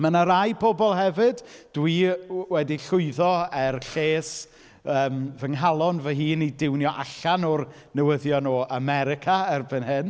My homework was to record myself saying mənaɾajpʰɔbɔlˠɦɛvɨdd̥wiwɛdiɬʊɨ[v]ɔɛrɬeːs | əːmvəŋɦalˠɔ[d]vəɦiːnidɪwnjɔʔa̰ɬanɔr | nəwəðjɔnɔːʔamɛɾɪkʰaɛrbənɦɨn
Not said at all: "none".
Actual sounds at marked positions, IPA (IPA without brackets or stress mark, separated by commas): ð, n